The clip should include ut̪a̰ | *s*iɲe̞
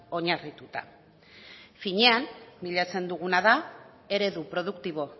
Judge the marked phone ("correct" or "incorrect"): incorrect